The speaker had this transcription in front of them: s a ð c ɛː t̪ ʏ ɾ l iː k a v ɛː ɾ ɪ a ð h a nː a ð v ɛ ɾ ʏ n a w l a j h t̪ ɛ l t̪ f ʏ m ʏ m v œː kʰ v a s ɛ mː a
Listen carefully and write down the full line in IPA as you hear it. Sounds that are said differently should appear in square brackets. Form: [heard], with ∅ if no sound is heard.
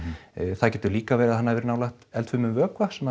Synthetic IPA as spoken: [θ] a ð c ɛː t̪ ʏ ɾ l iː k a v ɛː ɾ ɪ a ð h a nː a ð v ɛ ɾ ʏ n a w l a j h t̪ ɛ l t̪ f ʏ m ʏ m v œː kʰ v a s ɛ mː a